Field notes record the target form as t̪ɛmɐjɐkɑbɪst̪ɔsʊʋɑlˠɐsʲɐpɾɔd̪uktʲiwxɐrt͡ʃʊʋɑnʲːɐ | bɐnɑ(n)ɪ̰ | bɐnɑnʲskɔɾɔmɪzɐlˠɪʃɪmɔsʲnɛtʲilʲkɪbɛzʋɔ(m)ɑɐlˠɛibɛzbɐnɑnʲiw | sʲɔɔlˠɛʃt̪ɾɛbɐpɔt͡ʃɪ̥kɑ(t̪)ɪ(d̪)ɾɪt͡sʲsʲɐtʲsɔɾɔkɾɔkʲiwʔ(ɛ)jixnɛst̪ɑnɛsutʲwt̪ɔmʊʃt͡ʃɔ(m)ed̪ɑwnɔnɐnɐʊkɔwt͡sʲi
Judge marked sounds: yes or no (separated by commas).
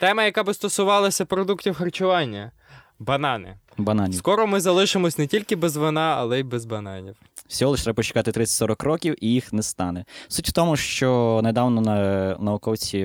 yes, no, yes, no, no, no